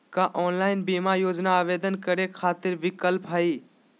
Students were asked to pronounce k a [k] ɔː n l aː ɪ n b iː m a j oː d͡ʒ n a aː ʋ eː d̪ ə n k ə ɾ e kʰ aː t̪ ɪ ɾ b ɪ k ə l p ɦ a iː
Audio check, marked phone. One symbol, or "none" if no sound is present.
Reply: ʔ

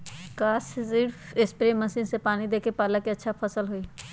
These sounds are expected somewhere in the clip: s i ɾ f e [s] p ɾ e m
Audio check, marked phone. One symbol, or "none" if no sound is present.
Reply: s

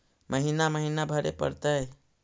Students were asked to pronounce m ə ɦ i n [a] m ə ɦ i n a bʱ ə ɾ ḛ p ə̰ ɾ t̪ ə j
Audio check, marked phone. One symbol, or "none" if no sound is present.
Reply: a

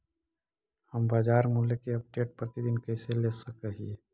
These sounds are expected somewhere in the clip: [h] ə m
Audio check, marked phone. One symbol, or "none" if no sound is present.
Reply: h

